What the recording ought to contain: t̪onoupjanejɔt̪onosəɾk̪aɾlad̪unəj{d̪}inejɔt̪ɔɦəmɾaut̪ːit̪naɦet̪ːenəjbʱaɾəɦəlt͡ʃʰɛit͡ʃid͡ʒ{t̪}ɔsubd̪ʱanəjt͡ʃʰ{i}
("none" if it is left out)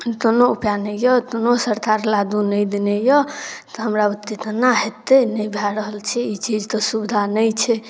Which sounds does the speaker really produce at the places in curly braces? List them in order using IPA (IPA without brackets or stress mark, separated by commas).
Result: d̪, t̪, ɛ